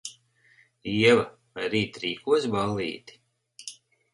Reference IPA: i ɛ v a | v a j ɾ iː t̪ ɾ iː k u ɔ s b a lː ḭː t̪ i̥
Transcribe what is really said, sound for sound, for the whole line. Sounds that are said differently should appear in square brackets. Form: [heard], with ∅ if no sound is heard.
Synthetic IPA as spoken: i ɛ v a | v a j ɾ iː t̪ ɾ iː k u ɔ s b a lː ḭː t̪ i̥